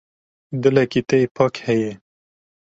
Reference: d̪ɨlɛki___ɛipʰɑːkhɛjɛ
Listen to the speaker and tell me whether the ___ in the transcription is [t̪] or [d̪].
t̪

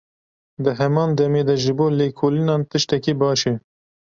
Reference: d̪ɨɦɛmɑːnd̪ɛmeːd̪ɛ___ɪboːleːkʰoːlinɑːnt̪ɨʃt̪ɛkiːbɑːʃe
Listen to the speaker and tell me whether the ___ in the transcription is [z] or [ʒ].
ʒ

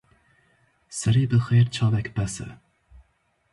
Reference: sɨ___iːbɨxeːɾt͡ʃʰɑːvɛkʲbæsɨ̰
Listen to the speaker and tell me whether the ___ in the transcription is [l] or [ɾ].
ɾ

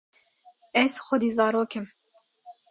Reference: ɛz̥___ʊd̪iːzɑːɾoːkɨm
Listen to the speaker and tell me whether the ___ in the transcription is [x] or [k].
x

